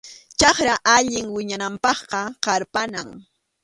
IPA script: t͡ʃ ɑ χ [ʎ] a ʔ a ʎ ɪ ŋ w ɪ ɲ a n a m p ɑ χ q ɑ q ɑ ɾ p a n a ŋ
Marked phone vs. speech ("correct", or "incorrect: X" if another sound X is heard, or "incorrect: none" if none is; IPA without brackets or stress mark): incorrect: ɾ